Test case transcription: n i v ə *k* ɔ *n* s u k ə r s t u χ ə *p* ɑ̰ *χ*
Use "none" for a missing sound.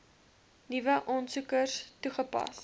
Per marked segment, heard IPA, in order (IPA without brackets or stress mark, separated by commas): ʔ, n, p, s